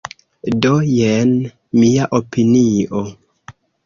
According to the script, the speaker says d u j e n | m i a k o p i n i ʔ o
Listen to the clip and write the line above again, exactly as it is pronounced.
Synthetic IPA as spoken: d o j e n | m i a ʔ o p i n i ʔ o